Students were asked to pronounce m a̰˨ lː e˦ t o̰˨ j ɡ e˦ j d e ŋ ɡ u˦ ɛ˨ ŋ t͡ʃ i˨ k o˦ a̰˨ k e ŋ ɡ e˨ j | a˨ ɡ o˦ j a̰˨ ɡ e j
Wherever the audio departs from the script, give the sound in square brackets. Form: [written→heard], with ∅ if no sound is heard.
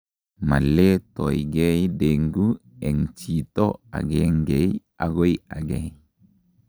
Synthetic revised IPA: m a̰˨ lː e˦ t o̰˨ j ɡ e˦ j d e ŋ ɡ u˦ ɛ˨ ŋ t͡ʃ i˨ [k→t] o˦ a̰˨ [k→ɡ] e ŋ ɡ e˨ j | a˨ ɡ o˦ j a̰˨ ɡ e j